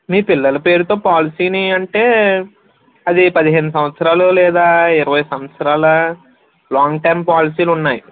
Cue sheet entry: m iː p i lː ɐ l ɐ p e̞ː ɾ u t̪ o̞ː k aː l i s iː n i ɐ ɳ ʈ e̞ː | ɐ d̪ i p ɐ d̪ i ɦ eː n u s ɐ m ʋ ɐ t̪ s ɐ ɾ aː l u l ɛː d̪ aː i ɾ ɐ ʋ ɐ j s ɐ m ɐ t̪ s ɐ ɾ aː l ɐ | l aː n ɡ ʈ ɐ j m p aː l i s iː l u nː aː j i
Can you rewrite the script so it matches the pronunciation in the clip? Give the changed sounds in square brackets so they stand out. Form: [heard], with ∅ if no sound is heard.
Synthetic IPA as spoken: m iː p i lː ɐ l ɐ p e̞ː ɾ u t̪ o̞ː [p] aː l i s iː n i ɐ ɳ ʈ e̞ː | ɐ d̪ i p ɐ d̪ i ɦ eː n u s ɐ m ʋ ɐ t̪ s ɐ ɾ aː l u l ɛː d̪ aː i ɾ ɐ ʋ ɐ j s ɐ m ɐ t̪ s ɐ ɾ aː l ɐ | l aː [ŋ] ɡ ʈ ɐ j m p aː l i s iː l u nː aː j i